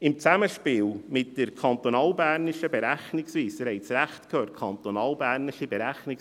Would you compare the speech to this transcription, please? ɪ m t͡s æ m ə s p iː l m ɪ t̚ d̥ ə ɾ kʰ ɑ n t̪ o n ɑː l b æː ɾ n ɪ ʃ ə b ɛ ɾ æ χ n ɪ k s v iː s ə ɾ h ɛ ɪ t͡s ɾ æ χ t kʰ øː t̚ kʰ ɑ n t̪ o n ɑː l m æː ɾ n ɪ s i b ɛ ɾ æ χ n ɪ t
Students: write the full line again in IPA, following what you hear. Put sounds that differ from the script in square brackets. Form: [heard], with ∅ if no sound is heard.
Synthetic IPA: ɪ m t͡s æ m ə [ʃ] p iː l m ɪ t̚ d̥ ə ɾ kʰ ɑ n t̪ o n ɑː l b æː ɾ n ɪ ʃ ə b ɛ ɾ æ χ n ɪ k s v iː s ə ɾ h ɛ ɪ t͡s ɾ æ χ t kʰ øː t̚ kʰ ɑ n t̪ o n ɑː l [b] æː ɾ n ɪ [ʃ] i b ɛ ɾ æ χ n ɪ [k]